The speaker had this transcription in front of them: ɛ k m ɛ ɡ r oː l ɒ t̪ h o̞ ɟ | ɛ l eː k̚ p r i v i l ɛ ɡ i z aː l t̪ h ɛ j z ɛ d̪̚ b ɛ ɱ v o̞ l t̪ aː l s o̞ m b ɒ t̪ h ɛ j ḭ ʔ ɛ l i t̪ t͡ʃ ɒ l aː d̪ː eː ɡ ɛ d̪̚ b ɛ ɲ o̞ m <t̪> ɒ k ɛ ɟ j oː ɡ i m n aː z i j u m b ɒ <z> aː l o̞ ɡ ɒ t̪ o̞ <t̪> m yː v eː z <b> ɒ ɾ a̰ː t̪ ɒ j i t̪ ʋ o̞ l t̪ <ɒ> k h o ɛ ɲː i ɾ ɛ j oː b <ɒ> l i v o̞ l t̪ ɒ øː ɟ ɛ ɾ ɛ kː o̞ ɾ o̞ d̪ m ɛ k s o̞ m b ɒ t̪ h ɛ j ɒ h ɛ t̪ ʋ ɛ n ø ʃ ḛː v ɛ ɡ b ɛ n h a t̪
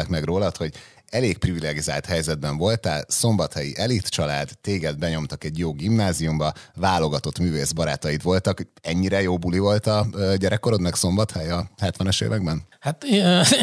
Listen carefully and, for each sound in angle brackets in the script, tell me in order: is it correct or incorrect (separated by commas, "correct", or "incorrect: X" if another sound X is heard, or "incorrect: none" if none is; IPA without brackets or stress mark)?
correct, incorrect: v, correct, correct, correct, incorrect: u